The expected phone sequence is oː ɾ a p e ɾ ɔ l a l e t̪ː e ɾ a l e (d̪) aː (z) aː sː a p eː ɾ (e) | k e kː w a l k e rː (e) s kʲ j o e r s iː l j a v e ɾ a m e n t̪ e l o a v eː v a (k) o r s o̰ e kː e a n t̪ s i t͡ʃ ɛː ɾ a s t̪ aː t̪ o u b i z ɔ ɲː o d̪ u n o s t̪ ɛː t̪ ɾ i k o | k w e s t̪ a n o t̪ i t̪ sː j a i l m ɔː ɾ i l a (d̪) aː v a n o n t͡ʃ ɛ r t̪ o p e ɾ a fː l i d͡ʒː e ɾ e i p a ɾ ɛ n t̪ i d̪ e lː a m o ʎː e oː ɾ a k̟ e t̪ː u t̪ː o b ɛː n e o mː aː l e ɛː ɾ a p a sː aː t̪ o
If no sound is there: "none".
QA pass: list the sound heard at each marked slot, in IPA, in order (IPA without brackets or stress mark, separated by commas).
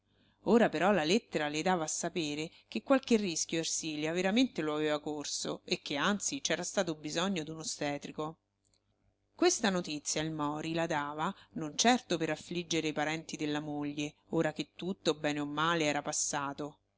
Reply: d̪, v, e, i, k, d̪